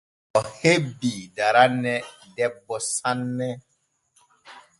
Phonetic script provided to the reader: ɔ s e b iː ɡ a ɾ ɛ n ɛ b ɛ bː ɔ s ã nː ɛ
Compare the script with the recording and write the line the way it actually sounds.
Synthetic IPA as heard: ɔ h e b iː d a ɾ a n ɛ d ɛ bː ɔ s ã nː ɛ